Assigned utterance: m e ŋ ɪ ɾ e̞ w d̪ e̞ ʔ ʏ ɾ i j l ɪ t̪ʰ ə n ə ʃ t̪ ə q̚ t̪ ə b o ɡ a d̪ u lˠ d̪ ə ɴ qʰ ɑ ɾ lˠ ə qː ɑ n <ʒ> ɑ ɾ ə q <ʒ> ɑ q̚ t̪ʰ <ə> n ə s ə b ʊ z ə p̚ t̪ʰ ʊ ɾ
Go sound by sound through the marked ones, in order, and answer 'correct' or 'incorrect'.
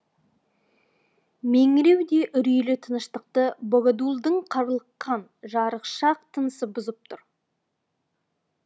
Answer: correct, incorrect: ʃ, correct

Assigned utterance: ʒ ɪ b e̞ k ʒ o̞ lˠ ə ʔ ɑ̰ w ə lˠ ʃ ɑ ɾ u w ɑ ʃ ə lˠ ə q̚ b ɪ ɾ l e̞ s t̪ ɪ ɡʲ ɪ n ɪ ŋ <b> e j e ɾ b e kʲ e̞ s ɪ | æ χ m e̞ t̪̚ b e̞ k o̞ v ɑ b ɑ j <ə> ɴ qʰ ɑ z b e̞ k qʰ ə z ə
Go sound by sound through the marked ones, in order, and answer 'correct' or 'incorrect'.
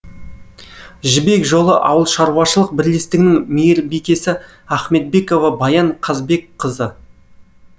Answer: incorrect: m, incorrect: ɑ

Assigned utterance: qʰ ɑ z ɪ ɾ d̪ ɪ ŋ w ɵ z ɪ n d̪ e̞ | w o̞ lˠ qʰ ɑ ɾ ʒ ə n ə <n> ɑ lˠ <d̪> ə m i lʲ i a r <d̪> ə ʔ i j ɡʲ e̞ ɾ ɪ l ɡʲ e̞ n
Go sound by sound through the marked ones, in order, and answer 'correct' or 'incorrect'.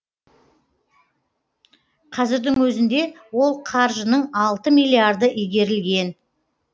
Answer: incorrect: ɴ, incorrect: t̪, correct

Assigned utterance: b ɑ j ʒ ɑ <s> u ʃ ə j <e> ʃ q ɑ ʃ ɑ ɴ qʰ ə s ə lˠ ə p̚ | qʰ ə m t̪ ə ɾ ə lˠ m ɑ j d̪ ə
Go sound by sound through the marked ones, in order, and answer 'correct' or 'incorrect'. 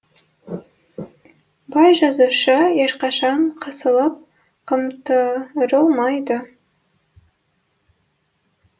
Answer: incorrect: z, correct

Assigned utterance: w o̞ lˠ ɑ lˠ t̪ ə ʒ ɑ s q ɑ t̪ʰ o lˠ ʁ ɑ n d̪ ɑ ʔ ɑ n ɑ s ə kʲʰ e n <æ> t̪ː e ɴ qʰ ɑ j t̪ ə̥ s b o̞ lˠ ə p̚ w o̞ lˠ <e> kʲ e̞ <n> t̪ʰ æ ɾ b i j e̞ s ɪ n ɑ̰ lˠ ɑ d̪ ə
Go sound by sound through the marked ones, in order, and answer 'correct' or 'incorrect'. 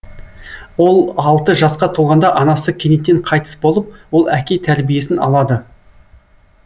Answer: incorrect: e, incorrect: æ, incorrect: none

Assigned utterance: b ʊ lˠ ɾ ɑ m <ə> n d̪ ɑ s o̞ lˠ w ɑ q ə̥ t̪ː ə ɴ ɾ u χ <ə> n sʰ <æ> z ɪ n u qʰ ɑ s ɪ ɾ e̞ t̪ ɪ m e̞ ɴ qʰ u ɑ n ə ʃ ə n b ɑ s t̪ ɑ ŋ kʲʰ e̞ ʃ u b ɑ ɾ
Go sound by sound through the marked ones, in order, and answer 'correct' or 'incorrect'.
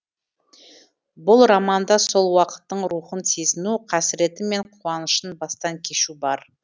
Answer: incorrect: ɑ, correct, incorrect: e

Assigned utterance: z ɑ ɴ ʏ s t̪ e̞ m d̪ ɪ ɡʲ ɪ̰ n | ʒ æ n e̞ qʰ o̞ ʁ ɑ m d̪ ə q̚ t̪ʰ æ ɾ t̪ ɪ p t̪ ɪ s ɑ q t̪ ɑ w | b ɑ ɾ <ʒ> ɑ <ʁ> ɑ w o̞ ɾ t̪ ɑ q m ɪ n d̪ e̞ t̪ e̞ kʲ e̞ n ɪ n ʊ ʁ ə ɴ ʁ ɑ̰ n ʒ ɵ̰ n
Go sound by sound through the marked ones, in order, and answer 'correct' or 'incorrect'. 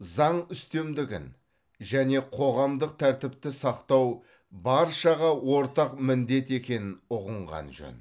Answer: incorrect: ʃ, correct

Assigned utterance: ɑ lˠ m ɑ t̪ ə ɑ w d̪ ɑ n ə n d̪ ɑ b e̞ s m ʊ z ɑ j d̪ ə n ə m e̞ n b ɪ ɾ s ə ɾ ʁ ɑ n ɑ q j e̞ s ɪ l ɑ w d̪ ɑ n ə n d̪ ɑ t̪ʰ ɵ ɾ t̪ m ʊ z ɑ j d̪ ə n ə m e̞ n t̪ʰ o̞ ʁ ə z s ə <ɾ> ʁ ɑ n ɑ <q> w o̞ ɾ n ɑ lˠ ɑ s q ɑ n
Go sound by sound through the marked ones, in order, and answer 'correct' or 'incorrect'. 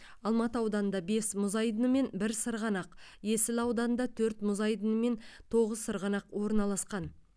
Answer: correct, correct

